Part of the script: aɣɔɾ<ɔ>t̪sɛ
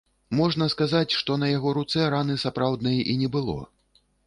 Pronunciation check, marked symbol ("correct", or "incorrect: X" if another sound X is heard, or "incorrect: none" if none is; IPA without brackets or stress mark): incorrect: u